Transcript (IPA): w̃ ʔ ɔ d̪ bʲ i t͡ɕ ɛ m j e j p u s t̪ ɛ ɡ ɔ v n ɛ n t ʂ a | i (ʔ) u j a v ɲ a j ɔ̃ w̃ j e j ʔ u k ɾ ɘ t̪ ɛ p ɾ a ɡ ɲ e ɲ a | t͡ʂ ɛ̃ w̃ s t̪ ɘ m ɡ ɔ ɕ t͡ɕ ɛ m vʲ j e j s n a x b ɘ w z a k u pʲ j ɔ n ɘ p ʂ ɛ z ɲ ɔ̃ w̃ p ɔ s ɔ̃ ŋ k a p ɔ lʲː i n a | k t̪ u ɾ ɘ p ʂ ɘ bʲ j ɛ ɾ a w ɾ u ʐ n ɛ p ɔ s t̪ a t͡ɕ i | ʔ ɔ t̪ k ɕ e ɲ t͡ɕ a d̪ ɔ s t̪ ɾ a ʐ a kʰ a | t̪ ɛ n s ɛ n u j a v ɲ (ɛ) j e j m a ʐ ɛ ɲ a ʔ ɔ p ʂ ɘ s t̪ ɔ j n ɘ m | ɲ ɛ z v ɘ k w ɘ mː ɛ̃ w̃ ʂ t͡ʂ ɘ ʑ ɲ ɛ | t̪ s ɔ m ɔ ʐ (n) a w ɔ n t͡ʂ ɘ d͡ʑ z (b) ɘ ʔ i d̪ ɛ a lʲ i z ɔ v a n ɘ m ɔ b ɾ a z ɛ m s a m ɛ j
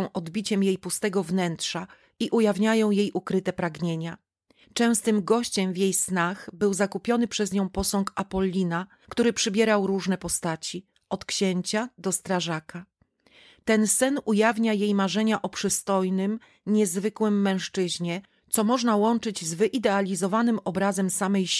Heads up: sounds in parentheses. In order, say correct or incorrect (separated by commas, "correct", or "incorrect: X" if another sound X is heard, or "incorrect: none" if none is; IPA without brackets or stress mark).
correct, incorrect: a, correct, incorrect: v